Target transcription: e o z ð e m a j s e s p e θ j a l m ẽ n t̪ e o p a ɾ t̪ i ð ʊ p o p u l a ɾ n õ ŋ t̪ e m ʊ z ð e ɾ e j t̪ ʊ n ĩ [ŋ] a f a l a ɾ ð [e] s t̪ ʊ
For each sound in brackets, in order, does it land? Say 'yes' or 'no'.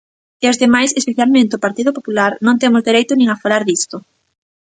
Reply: yes, no

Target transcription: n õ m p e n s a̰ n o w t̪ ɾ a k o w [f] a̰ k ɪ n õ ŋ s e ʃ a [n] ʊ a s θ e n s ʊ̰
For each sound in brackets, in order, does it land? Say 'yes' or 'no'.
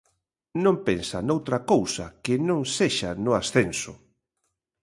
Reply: no, yes

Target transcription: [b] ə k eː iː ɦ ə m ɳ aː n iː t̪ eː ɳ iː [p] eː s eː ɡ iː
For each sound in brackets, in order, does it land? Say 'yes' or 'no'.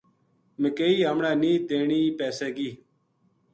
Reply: no, yes

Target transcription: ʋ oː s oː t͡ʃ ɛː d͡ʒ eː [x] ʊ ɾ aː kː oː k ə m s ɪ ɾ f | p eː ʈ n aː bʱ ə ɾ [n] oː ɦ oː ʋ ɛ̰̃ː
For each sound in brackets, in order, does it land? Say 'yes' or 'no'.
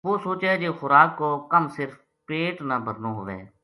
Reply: yes, yes

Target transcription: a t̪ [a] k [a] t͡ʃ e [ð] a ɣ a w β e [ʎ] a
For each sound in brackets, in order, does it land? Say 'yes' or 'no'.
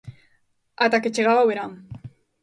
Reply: yes, no, no, no

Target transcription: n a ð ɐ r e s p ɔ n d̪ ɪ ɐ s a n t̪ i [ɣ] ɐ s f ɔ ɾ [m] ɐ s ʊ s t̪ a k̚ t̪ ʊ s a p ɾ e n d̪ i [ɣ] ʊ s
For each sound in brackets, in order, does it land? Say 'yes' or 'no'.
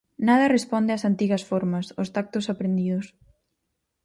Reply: yes, yes, no

